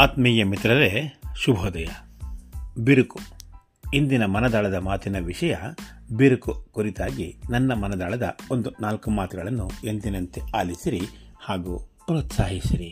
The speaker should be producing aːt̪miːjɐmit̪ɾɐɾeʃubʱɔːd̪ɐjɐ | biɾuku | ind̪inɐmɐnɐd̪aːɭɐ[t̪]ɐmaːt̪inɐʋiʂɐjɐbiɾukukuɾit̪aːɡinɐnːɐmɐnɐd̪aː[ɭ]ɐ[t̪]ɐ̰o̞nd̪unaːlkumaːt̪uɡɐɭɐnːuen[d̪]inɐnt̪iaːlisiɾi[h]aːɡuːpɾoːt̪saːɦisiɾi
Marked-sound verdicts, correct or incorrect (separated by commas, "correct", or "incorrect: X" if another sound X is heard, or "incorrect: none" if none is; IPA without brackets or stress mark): incorrect: d̪, correct, incorrect: d̪, correct, correct